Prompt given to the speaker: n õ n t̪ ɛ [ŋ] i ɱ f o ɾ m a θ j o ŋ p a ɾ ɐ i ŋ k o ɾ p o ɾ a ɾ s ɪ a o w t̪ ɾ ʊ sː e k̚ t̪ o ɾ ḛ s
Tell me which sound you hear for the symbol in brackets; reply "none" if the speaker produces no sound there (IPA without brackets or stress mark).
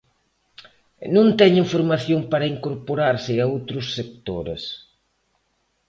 ɲ